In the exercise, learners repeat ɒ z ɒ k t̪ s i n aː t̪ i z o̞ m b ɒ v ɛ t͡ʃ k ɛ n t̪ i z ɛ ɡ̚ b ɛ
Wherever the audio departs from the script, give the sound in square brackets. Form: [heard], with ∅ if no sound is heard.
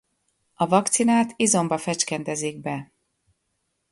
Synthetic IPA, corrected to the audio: ɒ [v] ɒ k t̪ s i n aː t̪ i z o̞ m b ɒ [f] ɛ t͡ʃ k ɛ n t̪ [ɛ] z [i] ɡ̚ b ɛ

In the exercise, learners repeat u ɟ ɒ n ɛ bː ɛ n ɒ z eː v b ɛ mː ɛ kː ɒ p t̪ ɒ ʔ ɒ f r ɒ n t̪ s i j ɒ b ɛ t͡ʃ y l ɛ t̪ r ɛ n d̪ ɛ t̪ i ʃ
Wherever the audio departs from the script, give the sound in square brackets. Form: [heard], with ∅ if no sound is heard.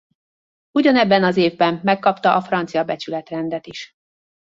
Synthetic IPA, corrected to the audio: u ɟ ɒ n ɛ bː ɛ n ɒ z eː v b ɛ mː ɛ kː ɒ p t̪ ɒ ʔ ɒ f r ɒ n t̪ s i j ɒ b ɛ t͡ʃ y l ɛ t̪ r ɛ n d̪ ɛ t̪ i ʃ

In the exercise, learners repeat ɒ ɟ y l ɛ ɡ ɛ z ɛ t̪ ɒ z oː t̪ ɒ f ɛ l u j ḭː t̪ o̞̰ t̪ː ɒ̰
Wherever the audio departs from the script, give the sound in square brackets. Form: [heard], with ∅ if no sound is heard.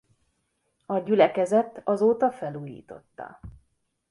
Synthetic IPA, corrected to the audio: ɒ ɟ y l ɛ [k] ɛ z ɛ t̪ ɒ z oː t̪ ɒ f ɛ l [uː] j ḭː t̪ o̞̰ t̪ː ɒ̰

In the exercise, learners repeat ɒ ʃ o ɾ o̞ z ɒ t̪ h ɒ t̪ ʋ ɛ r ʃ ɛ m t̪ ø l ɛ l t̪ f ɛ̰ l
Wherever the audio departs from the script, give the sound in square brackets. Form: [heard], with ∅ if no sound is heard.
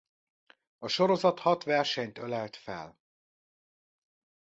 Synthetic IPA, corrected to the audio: ɒ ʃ o ɾ o̞ z ɒ t̪ h ɒ t̪ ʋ ɛ r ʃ ɛ [ɲ] t̪ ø l ɛ l t̪ f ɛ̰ l

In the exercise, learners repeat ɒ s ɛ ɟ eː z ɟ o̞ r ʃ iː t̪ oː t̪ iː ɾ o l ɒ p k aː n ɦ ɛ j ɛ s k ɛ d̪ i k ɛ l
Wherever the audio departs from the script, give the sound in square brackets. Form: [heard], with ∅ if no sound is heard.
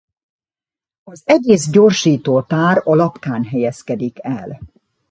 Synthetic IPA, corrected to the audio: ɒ [z] ɛ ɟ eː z ɟ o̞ r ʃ iː t̪ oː t̪ [aː] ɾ [ɒ] l ɒ p k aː n ɦ ɛ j ɛ s k ɛ d̪ i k ɛ l

